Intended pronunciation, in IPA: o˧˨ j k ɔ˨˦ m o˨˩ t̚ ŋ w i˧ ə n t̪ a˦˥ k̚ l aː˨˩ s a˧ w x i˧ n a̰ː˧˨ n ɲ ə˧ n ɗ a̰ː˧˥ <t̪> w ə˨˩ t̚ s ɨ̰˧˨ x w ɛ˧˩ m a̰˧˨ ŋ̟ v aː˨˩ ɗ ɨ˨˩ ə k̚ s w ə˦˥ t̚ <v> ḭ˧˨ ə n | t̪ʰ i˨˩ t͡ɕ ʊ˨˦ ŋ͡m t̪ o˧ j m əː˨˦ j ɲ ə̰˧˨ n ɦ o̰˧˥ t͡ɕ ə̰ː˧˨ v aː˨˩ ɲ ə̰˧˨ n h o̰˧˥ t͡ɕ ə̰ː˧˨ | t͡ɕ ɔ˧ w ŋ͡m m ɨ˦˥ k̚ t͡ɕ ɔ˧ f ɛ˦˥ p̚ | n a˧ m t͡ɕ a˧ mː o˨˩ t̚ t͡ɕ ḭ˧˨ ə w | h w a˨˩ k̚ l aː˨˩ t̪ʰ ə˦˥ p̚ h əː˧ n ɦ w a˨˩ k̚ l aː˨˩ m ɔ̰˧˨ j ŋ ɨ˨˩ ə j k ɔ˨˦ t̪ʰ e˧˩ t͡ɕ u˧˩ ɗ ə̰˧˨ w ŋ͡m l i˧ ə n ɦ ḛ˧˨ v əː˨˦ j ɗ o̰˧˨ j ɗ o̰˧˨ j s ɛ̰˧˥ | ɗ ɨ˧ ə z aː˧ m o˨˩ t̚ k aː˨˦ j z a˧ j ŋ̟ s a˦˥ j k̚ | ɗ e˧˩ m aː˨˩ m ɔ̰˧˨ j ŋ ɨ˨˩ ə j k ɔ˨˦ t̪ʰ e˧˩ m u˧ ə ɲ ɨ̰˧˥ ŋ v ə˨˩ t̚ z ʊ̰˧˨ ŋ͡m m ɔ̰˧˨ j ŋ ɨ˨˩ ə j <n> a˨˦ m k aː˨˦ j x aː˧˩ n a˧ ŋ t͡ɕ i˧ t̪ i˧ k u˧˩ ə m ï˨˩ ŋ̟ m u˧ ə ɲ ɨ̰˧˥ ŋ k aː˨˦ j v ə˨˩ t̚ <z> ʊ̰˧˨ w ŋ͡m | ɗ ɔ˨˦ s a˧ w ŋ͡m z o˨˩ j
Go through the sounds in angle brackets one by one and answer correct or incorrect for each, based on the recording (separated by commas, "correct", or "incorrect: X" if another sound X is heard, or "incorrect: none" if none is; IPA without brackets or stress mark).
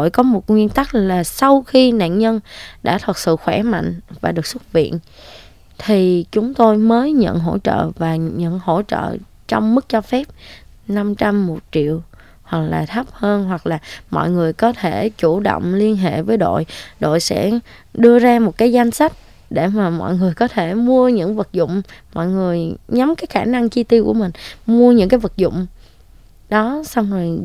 incorrect: t̪ʰ, correct, incorrect: ɲ, correct